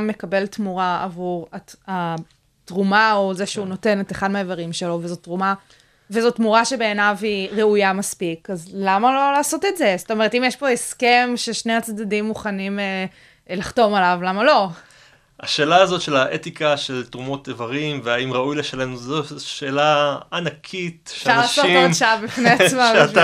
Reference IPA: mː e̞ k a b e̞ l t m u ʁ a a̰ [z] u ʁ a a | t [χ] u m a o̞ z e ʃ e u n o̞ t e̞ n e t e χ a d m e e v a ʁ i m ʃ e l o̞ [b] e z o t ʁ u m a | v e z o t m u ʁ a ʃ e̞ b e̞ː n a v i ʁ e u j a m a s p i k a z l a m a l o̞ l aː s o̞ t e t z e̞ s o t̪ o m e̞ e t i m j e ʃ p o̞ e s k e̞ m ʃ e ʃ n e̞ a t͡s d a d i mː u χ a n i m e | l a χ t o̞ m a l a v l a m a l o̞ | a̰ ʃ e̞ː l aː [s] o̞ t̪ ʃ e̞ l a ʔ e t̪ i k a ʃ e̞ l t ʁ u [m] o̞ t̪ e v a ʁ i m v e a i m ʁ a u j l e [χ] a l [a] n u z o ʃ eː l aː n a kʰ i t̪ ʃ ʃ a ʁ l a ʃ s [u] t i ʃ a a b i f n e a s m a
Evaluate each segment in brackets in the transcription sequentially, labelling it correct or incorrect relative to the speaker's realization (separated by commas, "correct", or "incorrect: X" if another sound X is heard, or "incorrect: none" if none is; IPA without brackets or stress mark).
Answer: incorrect: v, incorrect: ʁ, incorrect: v, incorrect: z, correct, incorrect: ʃ, incorrect: e, incorrect: o